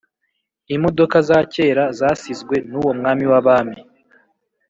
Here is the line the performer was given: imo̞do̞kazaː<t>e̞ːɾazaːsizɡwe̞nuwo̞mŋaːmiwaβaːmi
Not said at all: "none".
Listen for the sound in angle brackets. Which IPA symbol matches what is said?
c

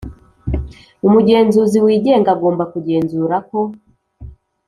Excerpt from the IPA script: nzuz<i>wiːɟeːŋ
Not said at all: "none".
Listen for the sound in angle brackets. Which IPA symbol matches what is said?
i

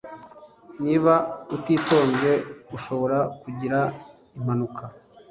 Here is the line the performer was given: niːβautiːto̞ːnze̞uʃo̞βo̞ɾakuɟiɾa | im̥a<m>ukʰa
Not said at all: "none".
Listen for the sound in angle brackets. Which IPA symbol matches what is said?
n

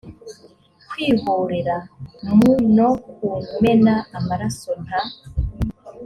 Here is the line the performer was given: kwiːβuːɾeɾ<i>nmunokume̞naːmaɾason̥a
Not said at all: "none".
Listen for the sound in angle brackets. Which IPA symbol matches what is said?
a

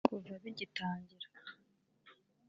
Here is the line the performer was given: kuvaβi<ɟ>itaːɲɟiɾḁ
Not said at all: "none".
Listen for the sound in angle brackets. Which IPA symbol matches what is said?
ɟ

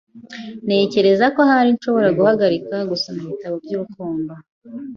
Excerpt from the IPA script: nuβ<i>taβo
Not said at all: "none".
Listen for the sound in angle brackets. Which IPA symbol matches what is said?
i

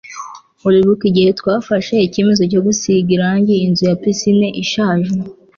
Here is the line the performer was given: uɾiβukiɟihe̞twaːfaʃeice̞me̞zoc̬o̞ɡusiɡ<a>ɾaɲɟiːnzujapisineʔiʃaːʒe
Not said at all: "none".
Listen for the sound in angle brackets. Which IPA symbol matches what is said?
i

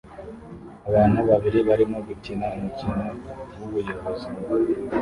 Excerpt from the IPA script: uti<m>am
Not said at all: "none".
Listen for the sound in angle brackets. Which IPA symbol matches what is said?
n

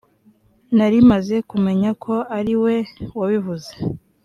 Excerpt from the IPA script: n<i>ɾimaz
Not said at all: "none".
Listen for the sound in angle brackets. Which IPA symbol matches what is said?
a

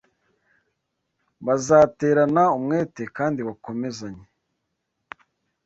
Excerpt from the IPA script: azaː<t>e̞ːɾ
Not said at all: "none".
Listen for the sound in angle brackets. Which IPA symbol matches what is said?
t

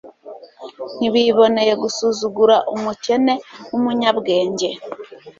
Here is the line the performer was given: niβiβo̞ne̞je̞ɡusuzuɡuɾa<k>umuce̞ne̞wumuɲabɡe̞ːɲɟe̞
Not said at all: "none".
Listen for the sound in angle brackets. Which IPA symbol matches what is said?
ʔ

